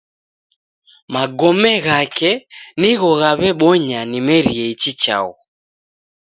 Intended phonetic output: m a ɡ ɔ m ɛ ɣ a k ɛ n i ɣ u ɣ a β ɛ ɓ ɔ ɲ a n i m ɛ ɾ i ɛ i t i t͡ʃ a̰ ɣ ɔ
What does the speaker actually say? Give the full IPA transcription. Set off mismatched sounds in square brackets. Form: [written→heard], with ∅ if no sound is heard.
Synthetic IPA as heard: m a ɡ ɔ m ɛ ɣ a k ɛ n i ɣ [u→ɔ] ɣ a β ɛ ɓ ɔ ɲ a n i m ɛ ɾ i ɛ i [t→t͡ʃ] i t͡ʃ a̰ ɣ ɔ